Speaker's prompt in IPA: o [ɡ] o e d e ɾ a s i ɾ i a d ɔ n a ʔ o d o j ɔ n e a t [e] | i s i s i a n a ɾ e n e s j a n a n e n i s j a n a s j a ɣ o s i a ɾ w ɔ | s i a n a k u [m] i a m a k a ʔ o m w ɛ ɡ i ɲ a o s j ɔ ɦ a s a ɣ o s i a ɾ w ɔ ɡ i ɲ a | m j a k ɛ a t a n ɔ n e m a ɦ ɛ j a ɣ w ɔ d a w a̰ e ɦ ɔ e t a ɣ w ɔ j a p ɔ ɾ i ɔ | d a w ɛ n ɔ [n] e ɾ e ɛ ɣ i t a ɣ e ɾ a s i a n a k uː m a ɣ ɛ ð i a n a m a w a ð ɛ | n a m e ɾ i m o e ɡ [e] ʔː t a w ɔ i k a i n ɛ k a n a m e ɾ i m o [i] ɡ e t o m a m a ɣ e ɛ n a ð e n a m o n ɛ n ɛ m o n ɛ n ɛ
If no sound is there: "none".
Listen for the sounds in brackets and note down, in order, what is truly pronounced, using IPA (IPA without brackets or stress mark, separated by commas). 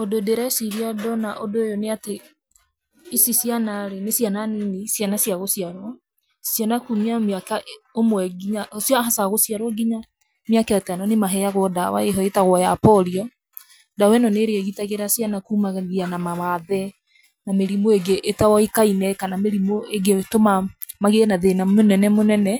d, e, m, n, e, e